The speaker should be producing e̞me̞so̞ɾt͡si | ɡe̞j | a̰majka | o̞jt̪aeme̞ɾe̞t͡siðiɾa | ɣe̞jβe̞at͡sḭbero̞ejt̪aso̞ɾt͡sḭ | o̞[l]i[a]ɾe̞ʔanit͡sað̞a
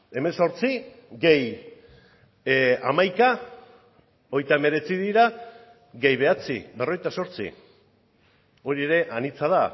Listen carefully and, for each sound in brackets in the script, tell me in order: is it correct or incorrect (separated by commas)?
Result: incorrect, incorrect